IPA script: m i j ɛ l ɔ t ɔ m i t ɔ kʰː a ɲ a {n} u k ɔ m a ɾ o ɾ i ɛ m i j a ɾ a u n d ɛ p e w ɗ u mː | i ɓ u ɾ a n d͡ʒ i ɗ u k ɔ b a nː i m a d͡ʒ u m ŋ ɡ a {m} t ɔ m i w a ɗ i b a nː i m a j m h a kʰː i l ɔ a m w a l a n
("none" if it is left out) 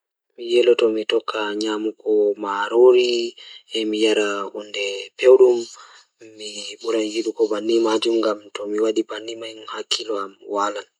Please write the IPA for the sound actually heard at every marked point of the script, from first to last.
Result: m, m

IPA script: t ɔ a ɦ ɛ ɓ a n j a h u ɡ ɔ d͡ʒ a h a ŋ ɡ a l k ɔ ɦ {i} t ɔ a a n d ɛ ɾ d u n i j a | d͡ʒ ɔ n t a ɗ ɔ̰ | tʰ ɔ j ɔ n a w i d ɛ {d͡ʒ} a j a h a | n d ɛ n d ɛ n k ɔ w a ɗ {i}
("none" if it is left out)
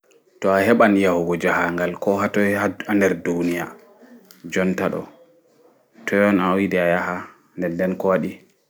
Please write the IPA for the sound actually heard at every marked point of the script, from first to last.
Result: a, none, i

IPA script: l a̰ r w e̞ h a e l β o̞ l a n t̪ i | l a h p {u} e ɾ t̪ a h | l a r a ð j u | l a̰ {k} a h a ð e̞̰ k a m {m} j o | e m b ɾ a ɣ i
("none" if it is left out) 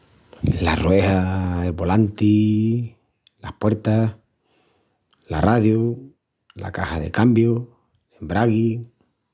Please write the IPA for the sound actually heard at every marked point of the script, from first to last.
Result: w, k, b

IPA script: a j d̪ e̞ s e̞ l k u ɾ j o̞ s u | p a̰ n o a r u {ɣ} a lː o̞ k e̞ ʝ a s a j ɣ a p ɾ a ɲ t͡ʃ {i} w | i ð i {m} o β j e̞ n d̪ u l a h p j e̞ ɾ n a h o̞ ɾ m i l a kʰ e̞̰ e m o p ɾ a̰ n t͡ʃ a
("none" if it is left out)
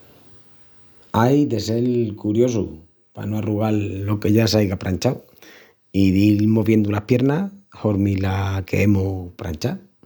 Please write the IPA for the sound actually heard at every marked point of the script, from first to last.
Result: ɣ, a, m

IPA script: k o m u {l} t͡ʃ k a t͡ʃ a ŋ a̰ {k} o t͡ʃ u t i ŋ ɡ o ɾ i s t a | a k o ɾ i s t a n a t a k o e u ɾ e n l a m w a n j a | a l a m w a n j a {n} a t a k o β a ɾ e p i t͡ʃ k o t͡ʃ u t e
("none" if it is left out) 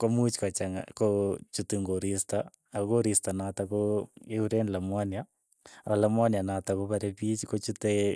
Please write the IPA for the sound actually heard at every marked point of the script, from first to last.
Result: none, k, n

